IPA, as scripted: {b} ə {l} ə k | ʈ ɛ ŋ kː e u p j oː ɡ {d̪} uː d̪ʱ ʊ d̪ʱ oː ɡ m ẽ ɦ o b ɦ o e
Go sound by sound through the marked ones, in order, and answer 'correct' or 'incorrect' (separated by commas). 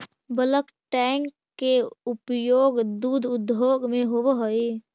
correct, correct, correct